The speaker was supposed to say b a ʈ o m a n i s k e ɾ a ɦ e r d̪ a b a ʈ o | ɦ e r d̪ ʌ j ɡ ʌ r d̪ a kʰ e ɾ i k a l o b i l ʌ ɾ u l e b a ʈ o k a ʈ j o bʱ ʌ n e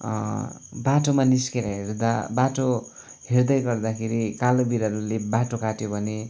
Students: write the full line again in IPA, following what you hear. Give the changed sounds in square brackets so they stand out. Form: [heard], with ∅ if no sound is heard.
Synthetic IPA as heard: b a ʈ o m a n i s k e ɾ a ɦ e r d̪ a b a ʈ o | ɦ e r d̪ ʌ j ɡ ʌ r d̪ a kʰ e ɾ i k a l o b i [ɾ] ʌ ɾ u l e b a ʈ o k a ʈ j o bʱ ʌ n e